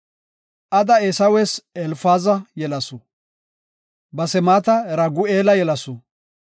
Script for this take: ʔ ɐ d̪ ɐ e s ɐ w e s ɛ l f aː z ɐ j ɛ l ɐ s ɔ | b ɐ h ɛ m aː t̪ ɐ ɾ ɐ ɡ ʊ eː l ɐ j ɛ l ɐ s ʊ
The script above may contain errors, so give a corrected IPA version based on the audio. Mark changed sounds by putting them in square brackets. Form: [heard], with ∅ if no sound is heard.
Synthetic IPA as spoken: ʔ ɐ d̪ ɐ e s ɐ w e s ɛ l f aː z ɐ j ɛ l ɐ s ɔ | b ɐ [s] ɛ m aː t̪ ɐ ɾ ɐ ɡ ʊ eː l ɐ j ɛ l ɐ s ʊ